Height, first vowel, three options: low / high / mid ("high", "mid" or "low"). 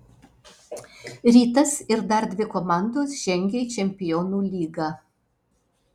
high